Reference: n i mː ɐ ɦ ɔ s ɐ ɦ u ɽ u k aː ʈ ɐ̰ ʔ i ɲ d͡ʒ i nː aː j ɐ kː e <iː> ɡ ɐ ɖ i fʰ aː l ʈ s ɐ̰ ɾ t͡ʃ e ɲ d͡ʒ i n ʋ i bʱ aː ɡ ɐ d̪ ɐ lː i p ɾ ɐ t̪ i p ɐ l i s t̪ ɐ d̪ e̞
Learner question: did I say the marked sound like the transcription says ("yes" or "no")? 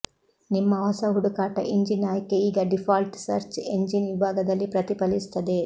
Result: yes